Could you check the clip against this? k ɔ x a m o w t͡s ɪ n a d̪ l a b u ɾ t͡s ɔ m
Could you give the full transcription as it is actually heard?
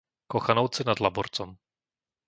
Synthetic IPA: k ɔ x a n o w t͡s ɪ n a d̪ l a b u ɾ t͡s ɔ m